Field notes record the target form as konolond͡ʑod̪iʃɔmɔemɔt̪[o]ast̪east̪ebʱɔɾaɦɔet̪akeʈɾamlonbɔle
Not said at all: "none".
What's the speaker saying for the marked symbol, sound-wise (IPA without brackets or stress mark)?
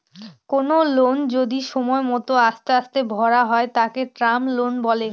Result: o